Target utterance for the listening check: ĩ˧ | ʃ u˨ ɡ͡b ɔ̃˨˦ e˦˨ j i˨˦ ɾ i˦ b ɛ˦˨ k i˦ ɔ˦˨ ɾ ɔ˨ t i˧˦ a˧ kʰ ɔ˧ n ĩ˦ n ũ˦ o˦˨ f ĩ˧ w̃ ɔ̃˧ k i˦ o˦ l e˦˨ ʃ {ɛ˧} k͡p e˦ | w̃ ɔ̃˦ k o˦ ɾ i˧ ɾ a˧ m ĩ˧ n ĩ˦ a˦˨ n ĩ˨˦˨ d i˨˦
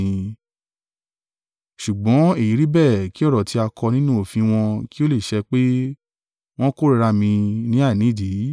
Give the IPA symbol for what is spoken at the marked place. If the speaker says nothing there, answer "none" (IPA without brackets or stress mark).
ɛ˧